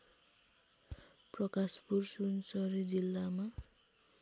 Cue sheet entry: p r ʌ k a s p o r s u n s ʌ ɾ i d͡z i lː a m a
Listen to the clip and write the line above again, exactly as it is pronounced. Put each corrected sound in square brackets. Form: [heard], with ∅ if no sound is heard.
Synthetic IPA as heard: p r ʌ k a s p [u] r s u n s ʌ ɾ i d͡z i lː a m a